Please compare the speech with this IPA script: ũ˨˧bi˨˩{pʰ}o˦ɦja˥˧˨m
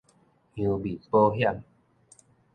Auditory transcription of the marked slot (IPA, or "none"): p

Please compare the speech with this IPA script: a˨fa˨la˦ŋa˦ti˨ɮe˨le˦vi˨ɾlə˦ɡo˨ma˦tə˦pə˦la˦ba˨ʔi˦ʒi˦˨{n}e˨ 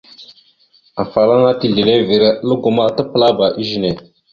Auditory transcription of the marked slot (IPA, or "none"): n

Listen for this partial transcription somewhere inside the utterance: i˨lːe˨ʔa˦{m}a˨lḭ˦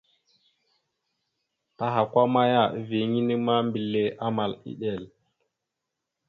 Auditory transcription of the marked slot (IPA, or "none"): m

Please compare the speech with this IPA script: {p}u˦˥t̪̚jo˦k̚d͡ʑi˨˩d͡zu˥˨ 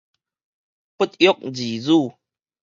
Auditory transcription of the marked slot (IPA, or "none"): p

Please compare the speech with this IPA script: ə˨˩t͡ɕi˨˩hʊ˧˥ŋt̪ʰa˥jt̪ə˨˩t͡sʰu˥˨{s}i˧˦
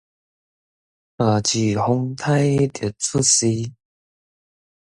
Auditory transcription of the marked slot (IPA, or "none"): s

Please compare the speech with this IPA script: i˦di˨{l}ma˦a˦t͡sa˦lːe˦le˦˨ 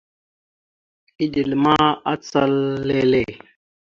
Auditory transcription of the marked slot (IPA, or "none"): l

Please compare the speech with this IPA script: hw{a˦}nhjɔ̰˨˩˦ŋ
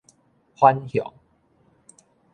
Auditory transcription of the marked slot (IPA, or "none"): a˦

